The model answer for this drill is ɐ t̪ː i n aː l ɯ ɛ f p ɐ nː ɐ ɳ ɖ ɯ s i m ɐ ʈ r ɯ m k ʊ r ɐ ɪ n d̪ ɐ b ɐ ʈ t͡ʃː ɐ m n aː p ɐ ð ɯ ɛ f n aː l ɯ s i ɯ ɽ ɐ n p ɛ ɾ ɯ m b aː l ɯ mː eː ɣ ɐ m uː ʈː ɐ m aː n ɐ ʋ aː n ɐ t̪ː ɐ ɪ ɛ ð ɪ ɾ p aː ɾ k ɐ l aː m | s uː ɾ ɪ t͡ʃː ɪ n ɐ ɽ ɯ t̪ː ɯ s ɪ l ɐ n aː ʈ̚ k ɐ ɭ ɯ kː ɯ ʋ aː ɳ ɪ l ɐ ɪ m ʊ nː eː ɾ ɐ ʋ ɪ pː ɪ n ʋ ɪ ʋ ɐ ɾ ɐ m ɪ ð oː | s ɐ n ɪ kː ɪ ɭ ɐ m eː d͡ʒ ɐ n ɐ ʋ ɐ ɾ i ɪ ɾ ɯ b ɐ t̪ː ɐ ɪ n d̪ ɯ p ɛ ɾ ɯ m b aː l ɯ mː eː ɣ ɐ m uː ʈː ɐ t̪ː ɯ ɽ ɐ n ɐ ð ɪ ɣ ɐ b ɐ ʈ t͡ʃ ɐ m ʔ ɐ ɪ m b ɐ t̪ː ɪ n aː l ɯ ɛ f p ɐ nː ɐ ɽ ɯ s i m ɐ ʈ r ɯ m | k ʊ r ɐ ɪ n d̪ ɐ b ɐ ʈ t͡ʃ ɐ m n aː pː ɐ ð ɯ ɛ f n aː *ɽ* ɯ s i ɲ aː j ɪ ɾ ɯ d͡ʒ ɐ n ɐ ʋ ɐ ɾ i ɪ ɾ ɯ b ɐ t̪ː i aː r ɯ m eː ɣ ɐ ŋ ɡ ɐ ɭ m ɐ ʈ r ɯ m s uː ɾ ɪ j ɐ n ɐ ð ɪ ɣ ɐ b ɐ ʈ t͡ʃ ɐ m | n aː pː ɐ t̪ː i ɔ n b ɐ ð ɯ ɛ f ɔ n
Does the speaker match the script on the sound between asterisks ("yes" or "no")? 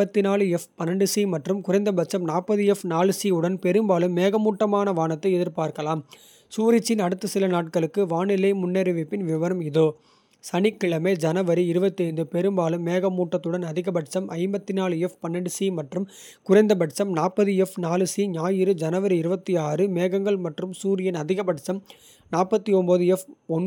no